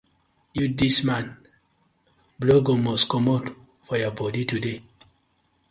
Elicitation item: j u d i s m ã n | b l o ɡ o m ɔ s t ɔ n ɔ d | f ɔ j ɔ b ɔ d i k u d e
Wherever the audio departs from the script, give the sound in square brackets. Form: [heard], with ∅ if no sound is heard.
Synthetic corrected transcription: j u d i s m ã n | b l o ɡ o m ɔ s [k] ɔ [m] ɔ d | f ɔ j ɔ b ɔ d i [t] u d e